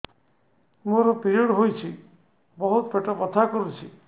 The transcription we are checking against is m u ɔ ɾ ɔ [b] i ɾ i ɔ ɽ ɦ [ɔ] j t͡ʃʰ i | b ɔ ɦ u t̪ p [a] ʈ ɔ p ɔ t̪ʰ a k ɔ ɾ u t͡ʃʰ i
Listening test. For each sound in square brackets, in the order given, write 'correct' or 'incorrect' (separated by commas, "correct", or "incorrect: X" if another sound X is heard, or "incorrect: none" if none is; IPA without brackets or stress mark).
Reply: incorrect: p, incorrect: o, incorrect: e